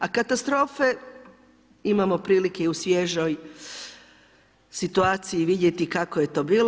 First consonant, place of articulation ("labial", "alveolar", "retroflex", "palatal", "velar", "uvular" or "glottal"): velar